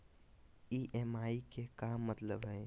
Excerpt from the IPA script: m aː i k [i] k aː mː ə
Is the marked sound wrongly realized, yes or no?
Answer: yes